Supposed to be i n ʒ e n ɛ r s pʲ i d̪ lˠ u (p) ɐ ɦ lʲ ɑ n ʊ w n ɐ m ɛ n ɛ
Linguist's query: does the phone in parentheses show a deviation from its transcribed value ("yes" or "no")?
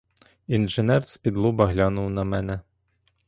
yes